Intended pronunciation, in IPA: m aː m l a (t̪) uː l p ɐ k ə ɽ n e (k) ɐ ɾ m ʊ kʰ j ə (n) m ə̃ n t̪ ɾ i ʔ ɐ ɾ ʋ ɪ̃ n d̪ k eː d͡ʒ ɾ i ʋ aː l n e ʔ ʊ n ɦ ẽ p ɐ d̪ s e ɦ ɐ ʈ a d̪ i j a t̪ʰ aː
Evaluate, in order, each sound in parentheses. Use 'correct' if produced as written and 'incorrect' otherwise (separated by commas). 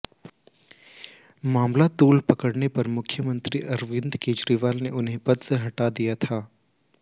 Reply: correct, incorrect, incorrect